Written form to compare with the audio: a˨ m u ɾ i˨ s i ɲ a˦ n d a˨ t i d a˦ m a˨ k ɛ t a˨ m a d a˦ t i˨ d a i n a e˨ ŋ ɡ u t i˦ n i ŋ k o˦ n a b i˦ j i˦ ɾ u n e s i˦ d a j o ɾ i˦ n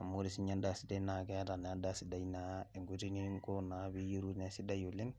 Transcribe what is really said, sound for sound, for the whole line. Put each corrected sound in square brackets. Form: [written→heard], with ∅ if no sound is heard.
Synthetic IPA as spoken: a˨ m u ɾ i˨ s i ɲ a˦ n d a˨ [t→s] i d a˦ [m→n] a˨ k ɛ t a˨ [m→n] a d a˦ [t→s] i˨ d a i n a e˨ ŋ ɡ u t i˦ n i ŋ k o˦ n a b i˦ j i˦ ɾ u n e s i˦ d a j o [ɾ→l] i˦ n